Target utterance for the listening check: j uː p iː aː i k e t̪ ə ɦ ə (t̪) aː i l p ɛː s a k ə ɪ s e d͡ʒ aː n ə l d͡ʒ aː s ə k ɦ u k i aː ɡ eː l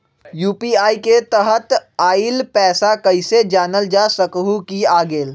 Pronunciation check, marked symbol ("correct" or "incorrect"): correct